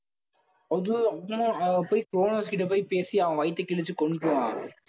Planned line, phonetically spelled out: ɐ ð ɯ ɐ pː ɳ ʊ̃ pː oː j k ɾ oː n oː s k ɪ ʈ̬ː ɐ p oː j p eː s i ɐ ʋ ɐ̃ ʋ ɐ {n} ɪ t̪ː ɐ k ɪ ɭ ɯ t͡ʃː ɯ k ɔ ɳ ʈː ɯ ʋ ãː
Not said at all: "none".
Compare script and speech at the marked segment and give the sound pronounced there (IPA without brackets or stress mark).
none